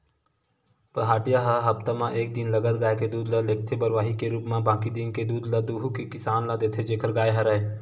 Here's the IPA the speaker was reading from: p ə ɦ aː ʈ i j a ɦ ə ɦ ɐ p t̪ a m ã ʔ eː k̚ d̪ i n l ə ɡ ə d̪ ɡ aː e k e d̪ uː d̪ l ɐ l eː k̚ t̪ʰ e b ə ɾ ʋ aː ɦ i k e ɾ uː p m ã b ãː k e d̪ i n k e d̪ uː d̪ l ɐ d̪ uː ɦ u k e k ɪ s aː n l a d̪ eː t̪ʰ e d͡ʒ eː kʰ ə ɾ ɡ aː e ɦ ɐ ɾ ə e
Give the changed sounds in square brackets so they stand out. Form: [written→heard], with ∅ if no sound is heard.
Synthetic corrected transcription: p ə ɦ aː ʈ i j a ɦ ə ɦ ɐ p t̪ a m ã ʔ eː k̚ d̪ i n l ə ɡ ə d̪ ɡ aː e k e d̪ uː d̪ l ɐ l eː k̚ t̪ʰ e b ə ɾ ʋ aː ɦ i k e ɾ uː p m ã b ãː k [e→i] d̪ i n k e d̪ uː d̪ l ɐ d̪ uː ɦ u k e k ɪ s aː n l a d̪ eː t̪ʰ e d͡ʒ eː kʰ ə ɾ ɡ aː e ɦ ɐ ɾ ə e